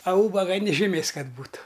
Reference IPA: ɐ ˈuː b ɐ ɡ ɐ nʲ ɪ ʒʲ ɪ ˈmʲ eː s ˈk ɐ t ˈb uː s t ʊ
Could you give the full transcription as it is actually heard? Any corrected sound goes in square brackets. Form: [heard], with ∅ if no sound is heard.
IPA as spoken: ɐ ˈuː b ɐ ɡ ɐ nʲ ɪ ʒʲ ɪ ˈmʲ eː s ˈk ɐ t ˈb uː [∅] t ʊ